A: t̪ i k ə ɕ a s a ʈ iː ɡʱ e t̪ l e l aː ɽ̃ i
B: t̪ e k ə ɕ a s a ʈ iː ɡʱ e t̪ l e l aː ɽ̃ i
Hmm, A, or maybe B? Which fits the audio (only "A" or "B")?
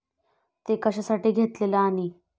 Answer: B